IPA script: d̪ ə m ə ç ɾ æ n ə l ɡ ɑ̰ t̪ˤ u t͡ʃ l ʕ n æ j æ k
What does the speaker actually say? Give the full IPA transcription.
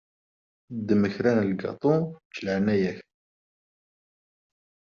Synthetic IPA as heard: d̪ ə m ə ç ɾ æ n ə l ɡ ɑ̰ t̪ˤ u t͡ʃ l ʕ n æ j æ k